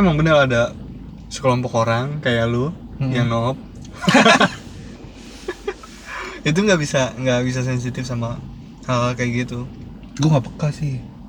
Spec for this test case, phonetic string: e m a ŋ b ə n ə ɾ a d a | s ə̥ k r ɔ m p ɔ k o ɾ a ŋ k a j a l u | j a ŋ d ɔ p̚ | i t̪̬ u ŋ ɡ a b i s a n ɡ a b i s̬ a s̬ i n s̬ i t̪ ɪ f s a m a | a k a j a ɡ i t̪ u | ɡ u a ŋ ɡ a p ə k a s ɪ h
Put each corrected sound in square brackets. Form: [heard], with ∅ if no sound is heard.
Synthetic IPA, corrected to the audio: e m a ŋ b ə n ə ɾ a d a | s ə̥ k [l] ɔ m p ɔ k o ɾ a ŋ k a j a l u | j a ŋ [n] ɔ p̚ | i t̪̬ u ŋ ɡ a b i s a [ŋ] ɡ a b i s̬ a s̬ [ɛ] n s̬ i t̪ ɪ f s a m a | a k a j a ɡ i t̪ u | ɡ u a ŋ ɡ a p ə k a s ɪ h